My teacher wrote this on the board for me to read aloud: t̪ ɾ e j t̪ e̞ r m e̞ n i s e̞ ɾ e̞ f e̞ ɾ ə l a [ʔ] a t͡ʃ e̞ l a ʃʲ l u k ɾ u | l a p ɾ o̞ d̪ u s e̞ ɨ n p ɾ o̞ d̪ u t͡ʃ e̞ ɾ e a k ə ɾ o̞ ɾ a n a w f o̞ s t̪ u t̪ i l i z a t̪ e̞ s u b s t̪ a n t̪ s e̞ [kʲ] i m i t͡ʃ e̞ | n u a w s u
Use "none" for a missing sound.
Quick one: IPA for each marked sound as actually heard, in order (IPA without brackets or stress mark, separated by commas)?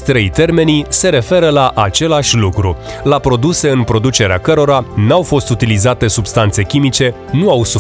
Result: ʔ, kʲ